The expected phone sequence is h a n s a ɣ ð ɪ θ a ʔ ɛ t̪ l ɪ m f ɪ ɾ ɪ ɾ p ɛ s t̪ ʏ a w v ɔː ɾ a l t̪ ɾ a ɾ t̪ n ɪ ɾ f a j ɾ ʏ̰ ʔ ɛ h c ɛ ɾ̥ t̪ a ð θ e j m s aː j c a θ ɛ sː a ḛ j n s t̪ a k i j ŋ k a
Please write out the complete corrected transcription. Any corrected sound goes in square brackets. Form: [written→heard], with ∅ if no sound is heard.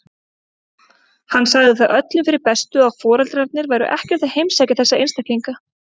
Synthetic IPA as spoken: h a [n→nː] s a ɣ ð ɪ θ a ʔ [ɛ→œ] t̪ l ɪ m f ɪ ɾ ɪ ɾ p ɛ s t̪ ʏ a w [v→f] ɔː ɾ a l t̪ ɾ a ɾ t̪ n ɪ ɾ [f→v] a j ɾ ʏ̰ ʔ ɛ h c ɛ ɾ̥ t̪ a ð [θ→h] e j m s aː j c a θ ɛ sː a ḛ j n s t̪ a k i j ŋ k a